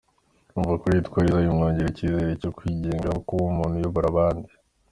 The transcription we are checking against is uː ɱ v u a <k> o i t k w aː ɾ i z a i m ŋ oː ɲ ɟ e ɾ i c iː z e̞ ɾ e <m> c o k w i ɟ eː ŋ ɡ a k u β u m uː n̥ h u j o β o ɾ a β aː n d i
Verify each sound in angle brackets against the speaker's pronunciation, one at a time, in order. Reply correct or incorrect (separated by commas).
correct, incorrect